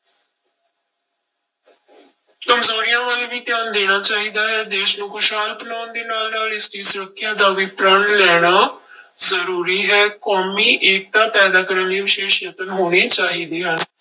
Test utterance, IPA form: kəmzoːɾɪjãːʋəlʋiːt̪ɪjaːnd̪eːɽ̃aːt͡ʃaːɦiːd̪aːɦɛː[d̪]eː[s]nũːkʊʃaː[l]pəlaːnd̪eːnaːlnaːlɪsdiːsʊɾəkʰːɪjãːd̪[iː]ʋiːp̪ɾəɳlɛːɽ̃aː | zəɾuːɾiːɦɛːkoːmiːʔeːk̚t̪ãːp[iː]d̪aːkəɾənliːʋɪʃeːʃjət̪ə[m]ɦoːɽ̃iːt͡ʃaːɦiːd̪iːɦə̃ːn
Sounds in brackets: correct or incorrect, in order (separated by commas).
correct, incorrect, correct, incorrect, incorrect, incorrect